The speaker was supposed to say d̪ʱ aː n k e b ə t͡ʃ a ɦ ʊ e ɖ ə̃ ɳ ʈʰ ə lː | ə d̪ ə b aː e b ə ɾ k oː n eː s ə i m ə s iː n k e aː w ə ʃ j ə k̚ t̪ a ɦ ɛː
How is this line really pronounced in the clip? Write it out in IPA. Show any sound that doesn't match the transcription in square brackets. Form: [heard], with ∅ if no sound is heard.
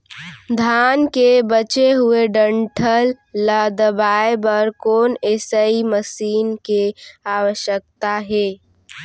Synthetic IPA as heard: d̪ʱ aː n k e b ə t͡ʃ [e] ɦ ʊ e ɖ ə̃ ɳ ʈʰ ə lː | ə d̪ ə b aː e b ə ɾ k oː n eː s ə i m ə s iː n k e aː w ə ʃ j ə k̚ t̪ a ɦ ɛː

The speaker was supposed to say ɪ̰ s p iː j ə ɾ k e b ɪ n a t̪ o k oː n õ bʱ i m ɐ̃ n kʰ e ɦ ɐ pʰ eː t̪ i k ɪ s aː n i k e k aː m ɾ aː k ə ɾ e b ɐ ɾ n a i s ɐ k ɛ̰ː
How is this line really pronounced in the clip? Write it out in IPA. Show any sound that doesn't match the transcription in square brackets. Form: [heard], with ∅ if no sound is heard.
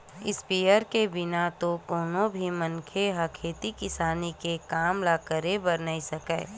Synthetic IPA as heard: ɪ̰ s p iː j ə ɾ k e b ɪ n a t̪ o k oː n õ bʱ i m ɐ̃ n kʰ e ɦ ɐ [kʰ] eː t̪ i k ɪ s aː n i k e k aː m [l] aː k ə ɾ e b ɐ ɾ n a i s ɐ k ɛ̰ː

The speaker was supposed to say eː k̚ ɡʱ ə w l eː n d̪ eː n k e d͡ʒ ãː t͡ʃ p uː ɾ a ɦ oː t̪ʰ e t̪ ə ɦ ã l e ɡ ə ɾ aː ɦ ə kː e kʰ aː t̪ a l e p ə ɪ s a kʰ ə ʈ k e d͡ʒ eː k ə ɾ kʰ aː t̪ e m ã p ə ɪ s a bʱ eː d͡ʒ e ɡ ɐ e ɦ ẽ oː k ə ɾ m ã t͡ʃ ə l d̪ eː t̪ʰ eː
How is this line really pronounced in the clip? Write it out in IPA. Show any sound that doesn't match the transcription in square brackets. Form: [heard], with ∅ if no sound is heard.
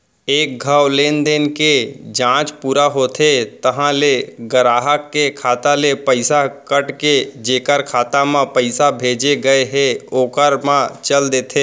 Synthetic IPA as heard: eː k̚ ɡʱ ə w l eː n d̪ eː n k e d͡ʒ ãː t͡ʃ p uː ɾ a ɦ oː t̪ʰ e t̪ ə ɦ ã l e ɡ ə ɾ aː ɦ ə kː e kʰ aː t̪ a l e p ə ɪ s a [k] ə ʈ k e d͡ʒ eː k ə ɾ kʰ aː t̪ [a] m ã p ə ɪ s a bʱ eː d͡ʒ e ɡ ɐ e ɦ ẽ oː k ə ɾ m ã t͡ʃ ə l d̪ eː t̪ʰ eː

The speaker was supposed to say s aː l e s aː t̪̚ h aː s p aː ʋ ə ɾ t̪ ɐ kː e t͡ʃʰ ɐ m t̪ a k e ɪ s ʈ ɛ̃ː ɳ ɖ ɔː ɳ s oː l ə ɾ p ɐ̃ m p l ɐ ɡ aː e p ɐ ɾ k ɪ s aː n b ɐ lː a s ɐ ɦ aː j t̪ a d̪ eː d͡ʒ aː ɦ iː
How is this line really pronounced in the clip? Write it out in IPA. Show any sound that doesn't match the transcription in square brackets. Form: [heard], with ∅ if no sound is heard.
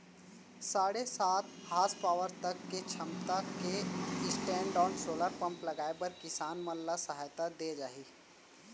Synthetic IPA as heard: s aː [ɽ] e s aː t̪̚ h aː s p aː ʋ ə ɾ t̪ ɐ kː e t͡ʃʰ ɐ m t̪ a k e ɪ s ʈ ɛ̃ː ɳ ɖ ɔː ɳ s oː l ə ɾ p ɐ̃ m p l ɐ ɡ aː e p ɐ ɾ k ɪ s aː n [m] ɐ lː a s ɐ ɦ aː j t̪ a d̪ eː d͡ʒ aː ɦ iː

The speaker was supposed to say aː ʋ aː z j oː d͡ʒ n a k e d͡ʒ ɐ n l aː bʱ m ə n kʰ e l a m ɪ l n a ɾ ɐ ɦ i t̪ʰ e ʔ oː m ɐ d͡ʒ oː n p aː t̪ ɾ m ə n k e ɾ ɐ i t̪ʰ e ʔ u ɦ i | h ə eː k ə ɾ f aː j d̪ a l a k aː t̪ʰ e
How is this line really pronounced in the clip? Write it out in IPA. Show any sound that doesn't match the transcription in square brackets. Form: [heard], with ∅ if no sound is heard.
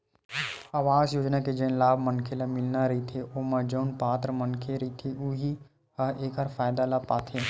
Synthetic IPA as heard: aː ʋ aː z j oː d͡ʒ n a k e d͡ʒ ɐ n l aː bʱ m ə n kʰ e l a m ɪ l n a ɾ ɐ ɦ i t̪ʰ e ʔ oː m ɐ d͡ʒ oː n p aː t̪ ɾ m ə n [kʰ] e ɾ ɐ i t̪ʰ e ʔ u ɦ i | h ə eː k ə ɾ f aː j d̪ a l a [p] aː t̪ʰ e

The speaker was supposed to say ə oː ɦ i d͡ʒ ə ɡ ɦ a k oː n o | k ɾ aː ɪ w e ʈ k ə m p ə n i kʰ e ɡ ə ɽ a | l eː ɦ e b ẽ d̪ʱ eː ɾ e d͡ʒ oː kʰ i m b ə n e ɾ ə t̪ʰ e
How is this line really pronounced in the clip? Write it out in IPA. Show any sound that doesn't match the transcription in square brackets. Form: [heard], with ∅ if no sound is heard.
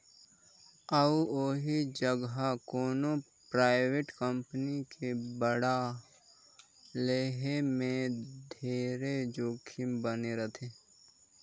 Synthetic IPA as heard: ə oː ɦ i d͡ʒ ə ɡ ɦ a k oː n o | [p] ɾ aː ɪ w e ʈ k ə m p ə n i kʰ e [b] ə ɽ a | l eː ɦ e [m] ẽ d̪ʱ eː ɾ e d͡ʒ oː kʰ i m b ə n e ɾ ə t̪ʰ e

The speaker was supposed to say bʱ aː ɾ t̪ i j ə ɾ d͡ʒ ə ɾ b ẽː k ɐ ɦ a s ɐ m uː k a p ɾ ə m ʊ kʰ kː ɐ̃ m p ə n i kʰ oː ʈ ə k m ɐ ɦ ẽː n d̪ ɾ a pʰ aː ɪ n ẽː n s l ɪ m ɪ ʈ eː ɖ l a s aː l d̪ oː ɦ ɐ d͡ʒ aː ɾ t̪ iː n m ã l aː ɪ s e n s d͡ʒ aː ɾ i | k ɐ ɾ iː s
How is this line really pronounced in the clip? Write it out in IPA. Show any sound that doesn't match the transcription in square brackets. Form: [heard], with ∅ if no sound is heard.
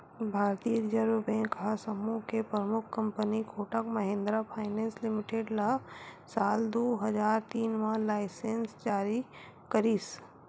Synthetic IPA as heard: bʱ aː ɾ t̪ i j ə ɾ d͡ʒ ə ɾ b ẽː k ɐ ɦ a s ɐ m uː k [e] p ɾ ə m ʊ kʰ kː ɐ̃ m p ə n i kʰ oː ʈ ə k m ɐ ɦ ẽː n d̪ ɾ a pʰ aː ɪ n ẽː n s l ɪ m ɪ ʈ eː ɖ l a s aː l d̪ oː ɦ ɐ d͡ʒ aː ɾ t̪ iː n m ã l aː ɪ s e n s d͡ʒ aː ɾ i | k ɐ ɾ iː s

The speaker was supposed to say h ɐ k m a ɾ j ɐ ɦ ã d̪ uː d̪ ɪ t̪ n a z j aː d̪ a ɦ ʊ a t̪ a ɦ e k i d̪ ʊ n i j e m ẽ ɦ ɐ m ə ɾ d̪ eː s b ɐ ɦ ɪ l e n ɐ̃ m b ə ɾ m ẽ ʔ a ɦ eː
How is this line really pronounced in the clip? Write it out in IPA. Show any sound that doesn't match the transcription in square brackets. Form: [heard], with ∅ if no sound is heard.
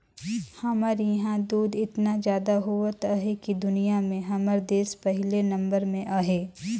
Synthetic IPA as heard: h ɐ [∅] m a ɾ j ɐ ɦ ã d̪ uː d̪ ɪ t̪ n a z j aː d̪ a ɦ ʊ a t̪ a ɦ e k i d̪ ʊ n i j [a] m ẽ ɦ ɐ m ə ɾ d̪ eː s [p] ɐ ɦ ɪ l e n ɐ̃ m b ə ɾ m ẽ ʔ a ɦ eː

